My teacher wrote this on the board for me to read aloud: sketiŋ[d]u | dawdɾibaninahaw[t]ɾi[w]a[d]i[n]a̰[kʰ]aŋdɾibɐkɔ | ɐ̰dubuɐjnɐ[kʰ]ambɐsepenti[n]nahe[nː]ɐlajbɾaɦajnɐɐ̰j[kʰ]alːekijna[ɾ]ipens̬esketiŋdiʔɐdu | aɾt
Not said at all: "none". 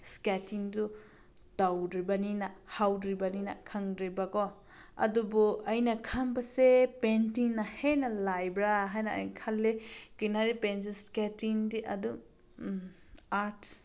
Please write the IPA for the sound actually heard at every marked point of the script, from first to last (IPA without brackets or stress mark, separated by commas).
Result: d, d, b, n, n, kʰ, kʰ, ŋ, n, kʰ, ɾ